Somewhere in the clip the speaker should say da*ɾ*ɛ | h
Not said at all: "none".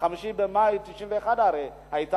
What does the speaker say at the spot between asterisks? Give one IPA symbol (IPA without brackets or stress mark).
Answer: ɾ